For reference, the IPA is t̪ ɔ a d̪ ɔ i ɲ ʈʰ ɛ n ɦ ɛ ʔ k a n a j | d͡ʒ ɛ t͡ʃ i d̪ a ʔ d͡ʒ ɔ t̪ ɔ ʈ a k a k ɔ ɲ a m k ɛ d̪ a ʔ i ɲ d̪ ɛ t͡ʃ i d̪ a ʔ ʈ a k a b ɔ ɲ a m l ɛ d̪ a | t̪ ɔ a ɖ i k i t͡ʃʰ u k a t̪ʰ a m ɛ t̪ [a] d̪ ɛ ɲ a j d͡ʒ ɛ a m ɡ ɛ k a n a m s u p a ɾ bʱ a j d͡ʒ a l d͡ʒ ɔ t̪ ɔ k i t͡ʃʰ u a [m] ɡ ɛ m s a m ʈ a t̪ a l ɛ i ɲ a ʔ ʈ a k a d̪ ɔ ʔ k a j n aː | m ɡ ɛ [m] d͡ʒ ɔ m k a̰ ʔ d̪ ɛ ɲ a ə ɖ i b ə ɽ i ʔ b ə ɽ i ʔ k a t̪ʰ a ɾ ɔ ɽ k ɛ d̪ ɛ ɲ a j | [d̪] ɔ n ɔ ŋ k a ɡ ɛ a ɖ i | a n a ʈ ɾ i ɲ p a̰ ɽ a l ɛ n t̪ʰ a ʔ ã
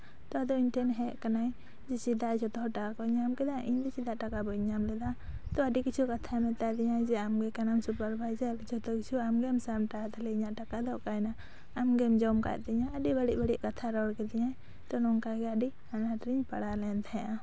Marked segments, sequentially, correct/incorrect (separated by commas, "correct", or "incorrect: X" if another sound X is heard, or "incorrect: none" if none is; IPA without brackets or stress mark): correct, correct, correct, incorrect: t̪